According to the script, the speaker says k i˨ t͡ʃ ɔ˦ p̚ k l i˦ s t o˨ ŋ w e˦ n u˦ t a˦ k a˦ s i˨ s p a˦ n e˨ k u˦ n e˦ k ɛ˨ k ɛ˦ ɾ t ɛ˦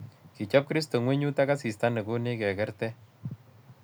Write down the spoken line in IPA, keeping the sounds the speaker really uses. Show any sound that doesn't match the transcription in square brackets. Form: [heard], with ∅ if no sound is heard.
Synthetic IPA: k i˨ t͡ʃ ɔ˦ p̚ k [ɾ] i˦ s t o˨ ŋ w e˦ [ɲ] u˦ t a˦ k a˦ s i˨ s [t] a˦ n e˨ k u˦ n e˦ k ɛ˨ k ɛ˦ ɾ t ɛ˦